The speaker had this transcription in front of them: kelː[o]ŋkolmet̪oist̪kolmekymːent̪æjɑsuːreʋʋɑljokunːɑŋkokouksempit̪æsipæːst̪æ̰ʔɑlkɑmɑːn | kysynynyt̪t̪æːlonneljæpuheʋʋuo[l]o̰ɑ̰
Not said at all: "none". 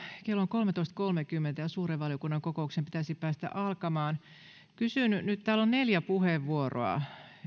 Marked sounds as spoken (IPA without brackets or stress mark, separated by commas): o, r